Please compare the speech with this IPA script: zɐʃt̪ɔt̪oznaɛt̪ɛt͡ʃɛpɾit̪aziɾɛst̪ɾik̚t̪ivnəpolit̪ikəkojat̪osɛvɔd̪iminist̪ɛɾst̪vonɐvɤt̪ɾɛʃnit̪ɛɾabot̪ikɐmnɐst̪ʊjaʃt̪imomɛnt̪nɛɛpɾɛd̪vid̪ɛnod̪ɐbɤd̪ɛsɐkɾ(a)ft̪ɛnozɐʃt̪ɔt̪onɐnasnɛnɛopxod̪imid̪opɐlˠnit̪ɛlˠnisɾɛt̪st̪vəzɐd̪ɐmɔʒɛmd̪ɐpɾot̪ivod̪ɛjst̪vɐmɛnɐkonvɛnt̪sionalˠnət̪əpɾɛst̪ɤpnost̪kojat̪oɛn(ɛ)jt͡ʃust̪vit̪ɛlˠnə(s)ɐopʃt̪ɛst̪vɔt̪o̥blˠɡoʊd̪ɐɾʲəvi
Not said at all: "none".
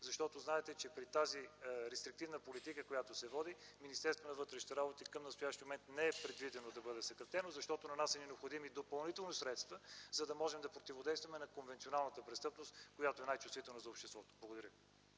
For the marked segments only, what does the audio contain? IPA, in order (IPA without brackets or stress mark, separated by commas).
ɐ, a, z